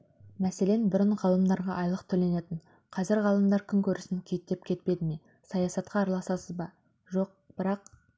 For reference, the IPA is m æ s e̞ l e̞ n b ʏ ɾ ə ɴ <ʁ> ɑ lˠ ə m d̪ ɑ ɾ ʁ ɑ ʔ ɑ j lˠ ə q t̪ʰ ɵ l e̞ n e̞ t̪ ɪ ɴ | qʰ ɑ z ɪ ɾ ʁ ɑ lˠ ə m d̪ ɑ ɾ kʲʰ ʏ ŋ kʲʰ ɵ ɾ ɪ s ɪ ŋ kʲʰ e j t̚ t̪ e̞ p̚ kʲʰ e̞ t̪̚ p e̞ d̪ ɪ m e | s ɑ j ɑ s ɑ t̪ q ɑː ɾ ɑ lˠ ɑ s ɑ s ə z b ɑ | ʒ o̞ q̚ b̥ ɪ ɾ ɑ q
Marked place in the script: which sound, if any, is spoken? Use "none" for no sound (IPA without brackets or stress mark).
ʁ